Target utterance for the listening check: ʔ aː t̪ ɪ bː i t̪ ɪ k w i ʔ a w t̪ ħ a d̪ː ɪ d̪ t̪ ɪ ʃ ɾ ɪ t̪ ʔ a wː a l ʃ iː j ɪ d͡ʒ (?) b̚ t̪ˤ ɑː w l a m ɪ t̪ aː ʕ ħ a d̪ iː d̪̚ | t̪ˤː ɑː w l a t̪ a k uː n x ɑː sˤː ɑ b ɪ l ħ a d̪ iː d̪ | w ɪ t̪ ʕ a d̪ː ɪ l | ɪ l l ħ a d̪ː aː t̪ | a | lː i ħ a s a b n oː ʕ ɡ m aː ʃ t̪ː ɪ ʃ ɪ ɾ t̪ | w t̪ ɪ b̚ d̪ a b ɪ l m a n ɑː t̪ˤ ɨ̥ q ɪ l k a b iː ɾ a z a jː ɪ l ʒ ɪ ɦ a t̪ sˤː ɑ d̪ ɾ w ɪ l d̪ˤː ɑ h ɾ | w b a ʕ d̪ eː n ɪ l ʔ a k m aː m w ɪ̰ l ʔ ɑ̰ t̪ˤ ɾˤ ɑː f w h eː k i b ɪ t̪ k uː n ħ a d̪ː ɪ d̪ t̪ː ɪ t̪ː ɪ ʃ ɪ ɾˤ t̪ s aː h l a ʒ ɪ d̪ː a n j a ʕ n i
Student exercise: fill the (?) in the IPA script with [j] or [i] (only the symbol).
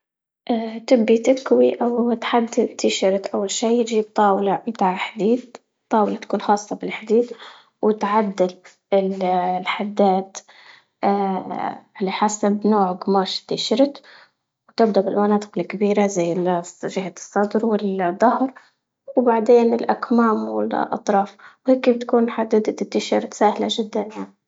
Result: i